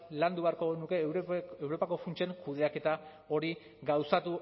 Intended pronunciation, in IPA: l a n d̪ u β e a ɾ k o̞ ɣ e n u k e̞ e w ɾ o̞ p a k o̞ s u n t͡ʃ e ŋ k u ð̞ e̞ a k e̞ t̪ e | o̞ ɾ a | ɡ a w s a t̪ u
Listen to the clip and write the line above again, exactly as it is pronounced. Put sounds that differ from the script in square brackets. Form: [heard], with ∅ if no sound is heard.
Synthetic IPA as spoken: l a n d̪ u β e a ɾ k o̞ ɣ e n u k e̞ e w ɾ o̞ p a k o̞ [f] u n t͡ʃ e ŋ k u ð̞ e̞ a k e̞ t̪ [a] | o̞ ɾ [i] | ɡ a w s a t̪ u